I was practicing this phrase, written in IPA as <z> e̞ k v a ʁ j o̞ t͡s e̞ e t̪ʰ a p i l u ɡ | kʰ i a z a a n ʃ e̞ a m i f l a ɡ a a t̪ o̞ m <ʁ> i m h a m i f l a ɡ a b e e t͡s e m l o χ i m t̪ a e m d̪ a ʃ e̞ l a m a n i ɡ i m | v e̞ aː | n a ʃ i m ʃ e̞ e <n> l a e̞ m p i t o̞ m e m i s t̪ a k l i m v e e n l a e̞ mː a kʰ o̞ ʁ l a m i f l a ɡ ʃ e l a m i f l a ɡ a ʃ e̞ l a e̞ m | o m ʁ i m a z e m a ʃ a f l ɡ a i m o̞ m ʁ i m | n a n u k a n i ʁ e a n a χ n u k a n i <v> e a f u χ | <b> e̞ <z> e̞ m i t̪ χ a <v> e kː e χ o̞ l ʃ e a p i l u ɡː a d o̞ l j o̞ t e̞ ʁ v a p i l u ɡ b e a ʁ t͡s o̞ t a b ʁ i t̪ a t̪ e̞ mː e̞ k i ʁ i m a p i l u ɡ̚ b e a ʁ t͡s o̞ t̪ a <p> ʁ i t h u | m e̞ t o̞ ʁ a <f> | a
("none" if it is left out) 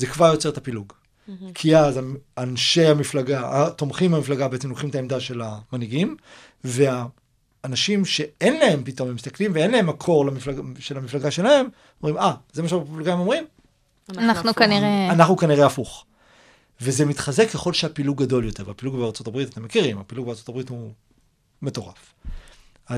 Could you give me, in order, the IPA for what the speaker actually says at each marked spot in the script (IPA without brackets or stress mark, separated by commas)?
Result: z, χ, n, ʁ, v, z, z, b, f